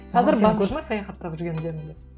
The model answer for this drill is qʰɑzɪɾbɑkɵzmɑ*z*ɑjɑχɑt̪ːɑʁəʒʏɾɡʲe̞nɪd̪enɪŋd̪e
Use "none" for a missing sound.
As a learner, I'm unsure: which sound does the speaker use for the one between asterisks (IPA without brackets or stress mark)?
s